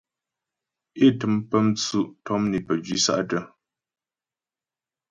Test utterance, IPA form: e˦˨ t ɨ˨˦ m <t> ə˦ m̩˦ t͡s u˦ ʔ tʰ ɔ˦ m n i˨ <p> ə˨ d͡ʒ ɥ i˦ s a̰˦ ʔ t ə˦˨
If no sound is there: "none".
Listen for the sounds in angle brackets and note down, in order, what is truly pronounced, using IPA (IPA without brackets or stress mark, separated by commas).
p, p